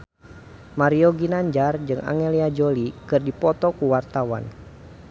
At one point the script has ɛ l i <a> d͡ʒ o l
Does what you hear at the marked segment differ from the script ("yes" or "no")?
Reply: no